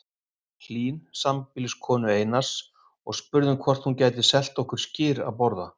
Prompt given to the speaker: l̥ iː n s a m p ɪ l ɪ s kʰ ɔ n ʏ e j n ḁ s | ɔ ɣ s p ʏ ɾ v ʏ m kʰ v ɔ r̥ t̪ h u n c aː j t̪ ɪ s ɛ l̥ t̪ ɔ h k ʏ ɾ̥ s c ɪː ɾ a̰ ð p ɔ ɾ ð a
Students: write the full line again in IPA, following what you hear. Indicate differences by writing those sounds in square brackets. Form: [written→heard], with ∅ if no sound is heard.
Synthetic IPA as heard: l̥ iː n s a m p ɪ l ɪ s kʰ [ɔ→ɔː] n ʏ e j n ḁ s | ɔ ɣ s p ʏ ɾ [v→ð] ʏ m kʰ v ɔ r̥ t̪ h u n c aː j t̪ ɪ s ɛ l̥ t̪ ɔ h k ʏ ɾ̥ s c ɪː ɾ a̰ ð p ɔ ɾ ð a